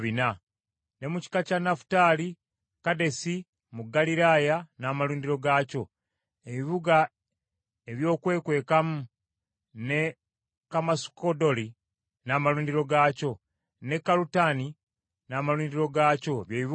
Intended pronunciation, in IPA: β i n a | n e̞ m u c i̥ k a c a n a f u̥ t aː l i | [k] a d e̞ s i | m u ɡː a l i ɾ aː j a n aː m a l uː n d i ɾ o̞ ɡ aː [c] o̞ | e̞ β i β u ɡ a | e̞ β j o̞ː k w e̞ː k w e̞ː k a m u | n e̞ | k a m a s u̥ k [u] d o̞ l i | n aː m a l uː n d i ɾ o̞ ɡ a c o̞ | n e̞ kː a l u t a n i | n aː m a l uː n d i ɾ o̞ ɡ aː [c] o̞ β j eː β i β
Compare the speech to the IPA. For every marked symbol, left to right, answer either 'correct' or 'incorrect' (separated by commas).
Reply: correct, correct, incorrect, correct